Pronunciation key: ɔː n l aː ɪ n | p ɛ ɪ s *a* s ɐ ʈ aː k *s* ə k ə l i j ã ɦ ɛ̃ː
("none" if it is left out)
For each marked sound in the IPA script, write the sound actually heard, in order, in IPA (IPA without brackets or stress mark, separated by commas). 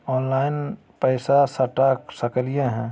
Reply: a, s